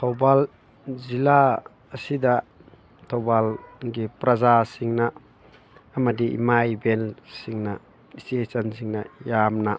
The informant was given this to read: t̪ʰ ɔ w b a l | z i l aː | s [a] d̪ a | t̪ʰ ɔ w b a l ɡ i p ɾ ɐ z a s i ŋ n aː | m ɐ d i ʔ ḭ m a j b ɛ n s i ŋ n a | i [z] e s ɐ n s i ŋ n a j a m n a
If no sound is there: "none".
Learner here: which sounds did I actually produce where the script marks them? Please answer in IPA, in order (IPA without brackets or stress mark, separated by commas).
i, s